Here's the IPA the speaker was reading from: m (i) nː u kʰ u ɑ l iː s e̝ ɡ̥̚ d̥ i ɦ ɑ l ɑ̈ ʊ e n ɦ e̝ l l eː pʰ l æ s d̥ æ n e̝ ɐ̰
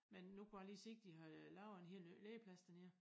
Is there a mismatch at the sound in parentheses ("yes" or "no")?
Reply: yes